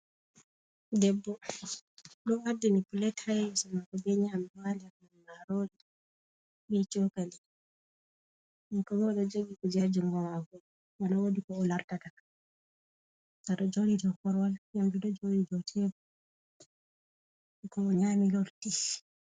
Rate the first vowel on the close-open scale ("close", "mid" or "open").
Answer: mid